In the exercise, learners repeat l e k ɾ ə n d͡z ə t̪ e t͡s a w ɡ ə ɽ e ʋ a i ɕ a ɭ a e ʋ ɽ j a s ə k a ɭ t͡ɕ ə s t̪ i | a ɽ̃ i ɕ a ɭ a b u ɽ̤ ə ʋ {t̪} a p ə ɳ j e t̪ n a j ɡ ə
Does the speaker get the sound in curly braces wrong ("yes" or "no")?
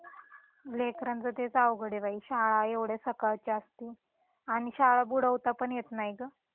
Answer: no